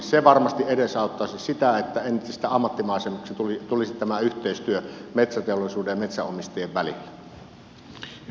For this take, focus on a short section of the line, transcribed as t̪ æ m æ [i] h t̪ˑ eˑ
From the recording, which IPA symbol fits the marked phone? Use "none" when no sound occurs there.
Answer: y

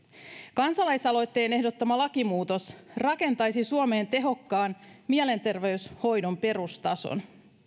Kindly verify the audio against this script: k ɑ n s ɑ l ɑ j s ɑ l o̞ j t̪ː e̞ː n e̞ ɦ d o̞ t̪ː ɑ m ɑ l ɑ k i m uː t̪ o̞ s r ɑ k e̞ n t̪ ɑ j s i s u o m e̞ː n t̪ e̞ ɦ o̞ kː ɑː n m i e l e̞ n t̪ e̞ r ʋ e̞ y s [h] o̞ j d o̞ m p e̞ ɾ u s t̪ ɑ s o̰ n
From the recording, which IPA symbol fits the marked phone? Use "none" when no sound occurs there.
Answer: h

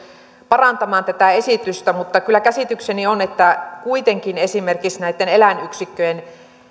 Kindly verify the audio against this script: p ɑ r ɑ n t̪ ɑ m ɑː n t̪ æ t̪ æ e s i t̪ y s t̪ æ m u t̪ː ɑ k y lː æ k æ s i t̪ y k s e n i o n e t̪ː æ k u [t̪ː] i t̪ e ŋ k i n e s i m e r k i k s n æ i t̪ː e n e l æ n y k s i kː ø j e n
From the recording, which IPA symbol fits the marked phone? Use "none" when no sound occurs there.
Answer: none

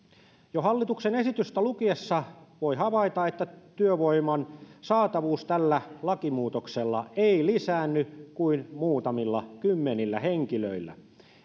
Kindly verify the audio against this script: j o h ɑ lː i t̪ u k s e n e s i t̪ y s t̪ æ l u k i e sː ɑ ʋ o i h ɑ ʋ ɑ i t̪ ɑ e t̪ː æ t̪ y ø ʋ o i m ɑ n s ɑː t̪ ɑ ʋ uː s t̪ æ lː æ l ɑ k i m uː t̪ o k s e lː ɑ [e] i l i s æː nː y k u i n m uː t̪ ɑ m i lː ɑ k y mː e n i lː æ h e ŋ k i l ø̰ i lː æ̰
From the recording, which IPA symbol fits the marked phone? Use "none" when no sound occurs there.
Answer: e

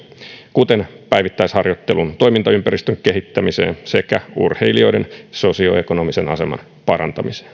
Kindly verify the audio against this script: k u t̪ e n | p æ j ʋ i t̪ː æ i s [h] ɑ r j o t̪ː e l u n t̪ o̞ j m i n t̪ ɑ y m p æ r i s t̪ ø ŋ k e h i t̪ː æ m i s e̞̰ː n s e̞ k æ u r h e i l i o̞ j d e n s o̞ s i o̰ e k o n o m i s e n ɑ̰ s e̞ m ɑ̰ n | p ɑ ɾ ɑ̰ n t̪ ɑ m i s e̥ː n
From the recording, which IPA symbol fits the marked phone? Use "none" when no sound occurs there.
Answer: h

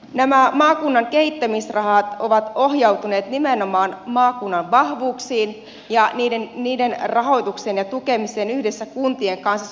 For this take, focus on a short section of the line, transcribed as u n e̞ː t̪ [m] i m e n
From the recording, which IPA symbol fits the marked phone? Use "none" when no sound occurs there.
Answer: n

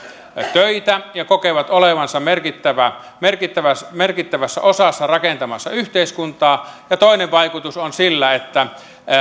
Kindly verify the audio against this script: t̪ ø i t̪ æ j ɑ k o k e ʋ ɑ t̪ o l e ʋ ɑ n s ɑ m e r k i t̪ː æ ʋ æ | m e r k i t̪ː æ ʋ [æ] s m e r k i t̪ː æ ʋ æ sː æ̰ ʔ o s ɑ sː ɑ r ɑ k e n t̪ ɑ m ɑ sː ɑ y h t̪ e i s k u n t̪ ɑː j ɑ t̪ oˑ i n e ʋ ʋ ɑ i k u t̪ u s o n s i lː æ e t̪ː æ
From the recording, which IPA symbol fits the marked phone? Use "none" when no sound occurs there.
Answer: æ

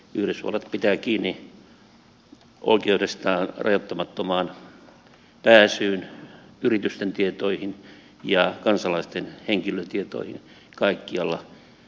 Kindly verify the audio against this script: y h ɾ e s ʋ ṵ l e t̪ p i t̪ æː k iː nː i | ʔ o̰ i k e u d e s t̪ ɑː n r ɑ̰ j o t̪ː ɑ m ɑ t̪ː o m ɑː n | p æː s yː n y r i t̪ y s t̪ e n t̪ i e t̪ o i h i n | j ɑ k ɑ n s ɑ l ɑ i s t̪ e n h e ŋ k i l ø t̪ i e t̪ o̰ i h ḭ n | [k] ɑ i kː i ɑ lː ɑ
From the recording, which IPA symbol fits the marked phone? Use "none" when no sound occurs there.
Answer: k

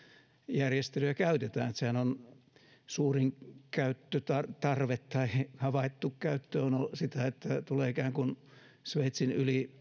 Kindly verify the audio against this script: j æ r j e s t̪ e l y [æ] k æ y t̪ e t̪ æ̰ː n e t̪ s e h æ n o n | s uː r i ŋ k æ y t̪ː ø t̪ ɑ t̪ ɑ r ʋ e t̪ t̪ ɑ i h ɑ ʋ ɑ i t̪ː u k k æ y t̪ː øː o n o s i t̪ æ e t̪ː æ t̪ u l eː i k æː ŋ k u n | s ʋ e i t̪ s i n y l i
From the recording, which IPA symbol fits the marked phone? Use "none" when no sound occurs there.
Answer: æ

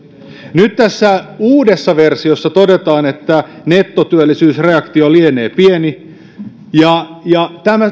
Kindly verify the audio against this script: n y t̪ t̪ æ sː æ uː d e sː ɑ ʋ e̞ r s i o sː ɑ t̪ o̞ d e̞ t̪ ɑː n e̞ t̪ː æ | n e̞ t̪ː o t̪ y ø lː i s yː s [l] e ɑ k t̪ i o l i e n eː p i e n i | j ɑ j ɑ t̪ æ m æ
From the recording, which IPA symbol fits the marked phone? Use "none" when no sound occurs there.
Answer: r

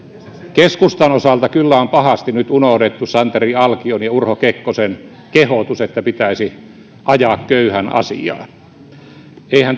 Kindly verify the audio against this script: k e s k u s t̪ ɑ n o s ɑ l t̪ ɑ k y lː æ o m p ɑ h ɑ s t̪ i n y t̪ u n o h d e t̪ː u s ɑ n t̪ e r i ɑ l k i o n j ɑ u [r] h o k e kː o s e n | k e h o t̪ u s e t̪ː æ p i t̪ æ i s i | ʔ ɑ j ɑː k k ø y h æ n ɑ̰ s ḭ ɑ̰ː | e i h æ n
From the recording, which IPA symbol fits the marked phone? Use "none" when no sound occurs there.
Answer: r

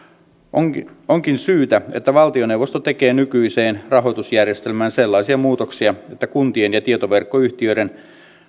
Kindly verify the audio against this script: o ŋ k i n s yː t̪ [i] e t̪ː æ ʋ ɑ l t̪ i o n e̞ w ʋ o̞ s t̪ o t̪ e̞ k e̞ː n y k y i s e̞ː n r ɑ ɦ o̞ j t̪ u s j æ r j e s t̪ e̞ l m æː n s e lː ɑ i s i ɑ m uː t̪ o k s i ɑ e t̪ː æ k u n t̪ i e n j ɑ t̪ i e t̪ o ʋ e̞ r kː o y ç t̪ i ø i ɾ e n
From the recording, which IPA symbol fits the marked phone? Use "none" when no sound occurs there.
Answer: æ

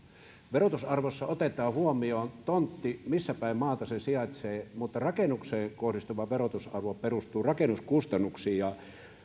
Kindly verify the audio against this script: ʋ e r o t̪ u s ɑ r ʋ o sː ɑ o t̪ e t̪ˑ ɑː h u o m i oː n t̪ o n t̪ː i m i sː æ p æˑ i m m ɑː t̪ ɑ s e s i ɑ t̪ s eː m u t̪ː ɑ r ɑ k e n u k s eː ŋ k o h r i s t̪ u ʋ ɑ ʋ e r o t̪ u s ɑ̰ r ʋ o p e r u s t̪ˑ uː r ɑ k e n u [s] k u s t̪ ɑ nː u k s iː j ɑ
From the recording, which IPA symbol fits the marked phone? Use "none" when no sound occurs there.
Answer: s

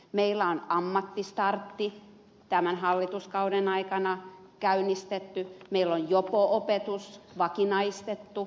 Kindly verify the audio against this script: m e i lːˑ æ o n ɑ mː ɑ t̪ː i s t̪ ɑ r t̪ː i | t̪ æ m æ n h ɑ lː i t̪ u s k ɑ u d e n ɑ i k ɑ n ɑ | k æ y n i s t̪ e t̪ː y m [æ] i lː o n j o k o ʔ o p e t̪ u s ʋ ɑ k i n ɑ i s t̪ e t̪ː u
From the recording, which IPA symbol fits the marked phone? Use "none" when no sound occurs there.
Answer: e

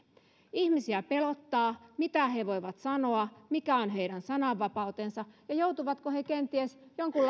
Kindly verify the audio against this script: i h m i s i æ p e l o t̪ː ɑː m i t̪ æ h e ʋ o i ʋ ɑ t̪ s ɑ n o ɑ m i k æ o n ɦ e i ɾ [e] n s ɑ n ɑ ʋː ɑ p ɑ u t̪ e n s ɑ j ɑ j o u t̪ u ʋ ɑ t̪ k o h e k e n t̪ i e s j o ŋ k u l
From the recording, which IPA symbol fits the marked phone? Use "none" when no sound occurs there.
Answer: æ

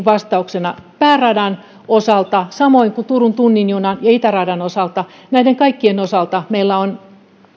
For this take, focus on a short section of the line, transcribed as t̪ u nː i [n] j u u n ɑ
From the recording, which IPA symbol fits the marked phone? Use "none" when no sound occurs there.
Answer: n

